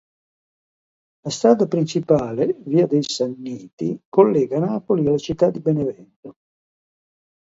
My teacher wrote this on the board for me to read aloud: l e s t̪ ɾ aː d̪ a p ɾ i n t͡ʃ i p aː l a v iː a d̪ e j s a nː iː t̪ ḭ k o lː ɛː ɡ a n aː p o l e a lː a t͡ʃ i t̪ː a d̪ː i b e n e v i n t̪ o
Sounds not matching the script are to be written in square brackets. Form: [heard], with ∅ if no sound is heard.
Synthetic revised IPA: l [a] s t̪ ɾ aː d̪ a p ɾ i n t͡ʃ i p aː l [e] v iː a d̪ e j s a nː iː t̪ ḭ k o lː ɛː ɡ a n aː p o l [i] a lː a t͡ʃ i t̪ː a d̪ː i b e n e v [ɛ] n t̪ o